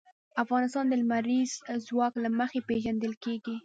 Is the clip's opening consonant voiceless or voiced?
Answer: voiceless